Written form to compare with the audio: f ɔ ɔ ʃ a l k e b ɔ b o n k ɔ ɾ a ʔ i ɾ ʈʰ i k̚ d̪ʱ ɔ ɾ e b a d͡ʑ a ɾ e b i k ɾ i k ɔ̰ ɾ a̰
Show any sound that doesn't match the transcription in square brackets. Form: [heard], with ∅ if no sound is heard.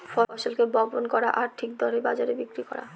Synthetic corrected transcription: f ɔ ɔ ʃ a l k e b ɔ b o n k ɔ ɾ a ʔ [a] ɾ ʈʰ i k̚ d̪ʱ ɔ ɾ e b a d͡ʑ a ɾ e b i k ɾ i k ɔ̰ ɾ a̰